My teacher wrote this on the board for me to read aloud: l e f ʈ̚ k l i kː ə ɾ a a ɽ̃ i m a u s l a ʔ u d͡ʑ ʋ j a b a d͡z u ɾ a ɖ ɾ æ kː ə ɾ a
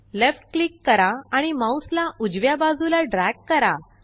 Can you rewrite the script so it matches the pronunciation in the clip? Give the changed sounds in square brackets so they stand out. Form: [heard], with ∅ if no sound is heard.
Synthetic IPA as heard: l e f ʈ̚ k l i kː ə ɾ a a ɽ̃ i m a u s l a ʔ u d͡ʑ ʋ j a b a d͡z u [l] a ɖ ɾ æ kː ə ɾ a